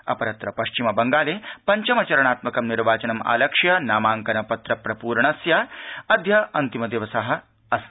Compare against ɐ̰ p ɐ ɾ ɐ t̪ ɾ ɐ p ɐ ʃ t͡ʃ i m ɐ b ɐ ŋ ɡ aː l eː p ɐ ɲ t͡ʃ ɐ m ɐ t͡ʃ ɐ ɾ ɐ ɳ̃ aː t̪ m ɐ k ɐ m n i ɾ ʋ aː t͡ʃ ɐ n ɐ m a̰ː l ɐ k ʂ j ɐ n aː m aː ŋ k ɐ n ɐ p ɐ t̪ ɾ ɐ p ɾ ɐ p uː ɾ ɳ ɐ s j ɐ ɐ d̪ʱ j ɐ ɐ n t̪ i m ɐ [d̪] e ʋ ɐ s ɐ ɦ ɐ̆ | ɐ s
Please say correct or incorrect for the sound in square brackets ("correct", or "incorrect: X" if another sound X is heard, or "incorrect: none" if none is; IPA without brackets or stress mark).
correct